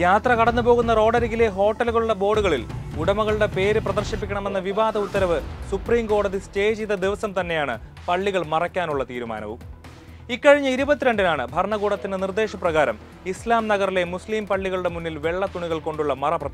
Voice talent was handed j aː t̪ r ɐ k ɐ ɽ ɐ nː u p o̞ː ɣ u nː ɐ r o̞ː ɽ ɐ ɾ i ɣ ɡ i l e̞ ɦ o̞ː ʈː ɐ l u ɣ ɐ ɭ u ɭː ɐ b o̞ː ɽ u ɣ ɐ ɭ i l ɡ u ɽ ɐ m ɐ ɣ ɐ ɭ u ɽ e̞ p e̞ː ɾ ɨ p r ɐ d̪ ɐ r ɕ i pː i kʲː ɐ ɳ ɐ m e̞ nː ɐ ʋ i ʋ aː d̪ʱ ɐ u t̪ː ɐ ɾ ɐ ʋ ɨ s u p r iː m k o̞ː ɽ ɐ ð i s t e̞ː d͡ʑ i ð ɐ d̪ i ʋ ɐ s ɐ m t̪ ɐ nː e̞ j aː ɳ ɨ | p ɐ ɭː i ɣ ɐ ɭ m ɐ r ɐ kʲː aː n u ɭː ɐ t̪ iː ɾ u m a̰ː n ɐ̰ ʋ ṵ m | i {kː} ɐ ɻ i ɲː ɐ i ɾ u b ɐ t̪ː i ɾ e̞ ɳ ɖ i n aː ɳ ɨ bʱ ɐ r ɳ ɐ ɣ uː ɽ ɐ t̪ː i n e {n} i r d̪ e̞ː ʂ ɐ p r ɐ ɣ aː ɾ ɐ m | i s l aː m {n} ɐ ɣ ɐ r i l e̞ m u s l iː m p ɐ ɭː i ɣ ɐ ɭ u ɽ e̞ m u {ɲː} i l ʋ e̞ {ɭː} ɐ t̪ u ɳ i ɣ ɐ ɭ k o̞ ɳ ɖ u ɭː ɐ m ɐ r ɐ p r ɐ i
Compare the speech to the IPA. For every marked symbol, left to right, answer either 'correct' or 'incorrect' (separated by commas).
correct, correct, correct, incorrect, correct